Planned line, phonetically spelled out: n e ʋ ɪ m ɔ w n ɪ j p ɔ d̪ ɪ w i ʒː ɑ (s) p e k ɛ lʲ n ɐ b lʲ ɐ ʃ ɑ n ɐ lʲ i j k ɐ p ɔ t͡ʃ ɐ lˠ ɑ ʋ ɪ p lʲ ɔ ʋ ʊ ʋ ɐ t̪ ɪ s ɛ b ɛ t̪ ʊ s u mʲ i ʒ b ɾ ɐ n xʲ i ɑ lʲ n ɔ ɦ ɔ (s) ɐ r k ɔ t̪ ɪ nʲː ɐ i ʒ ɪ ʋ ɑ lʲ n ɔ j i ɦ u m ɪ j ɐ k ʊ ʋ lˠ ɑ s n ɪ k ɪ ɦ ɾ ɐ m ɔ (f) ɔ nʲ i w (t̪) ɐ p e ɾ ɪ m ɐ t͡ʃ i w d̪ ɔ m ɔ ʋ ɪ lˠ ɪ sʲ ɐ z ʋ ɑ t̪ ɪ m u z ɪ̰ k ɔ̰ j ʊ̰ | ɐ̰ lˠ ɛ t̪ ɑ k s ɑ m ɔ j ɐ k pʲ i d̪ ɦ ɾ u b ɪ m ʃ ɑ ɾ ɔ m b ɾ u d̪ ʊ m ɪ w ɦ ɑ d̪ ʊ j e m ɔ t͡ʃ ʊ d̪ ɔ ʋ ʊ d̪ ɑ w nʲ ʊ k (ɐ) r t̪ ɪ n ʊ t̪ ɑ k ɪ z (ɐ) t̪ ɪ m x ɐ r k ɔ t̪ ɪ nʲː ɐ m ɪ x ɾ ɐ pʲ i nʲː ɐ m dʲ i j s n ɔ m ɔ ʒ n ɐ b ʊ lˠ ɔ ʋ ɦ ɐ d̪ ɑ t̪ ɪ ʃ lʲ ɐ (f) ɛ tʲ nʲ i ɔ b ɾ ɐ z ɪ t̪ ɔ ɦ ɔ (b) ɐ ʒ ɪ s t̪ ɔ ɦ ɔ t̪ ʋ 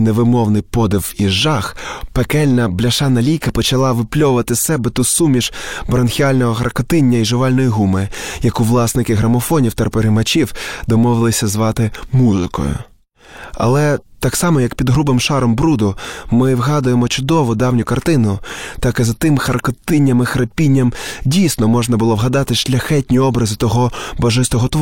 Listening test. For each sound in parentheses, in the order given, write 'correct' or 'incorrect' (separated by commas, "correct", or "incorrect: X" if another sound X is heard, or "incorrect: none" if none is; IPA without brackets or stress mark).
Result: incorrect: x, incorrect: x, correct, correct, correct, correct, incorrect: x, correct